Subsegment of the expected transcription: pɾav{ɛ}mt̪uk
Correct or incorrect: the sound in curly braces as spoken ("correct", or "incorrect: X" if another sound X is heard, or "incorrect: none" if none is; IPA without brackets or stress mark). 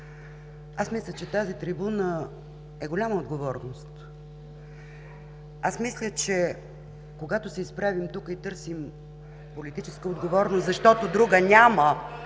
incorrect: i